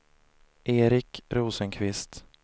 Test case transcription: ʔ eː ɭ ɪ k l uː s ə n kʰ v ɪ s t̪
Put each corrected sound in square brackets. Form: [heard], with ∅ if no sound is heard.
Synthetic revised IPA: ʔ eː [ɾ] ɪ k [ɾ] uː s ə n kʰ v ɪ s t̪